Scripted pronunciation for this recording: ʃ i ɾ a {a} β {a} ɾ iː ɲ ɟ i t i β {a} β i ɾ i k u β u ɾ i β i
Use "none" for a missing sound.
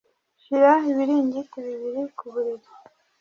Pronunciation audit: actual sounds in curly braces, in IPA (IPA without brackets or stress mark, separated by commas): i, i, i